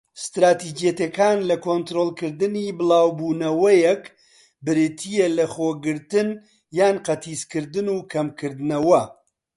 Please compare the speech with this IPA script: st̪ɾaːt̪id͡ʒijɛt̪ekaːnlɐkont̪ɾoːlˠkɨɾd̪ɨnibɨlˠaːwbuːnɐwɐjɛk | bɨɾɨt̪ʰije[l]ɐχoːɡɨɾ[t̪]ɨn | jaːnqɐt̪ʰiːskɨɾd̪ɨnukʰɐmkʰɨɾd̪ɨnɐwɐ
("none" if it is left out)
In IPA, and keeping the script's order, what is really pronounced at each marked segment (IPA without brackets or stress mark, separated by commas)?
l, t̪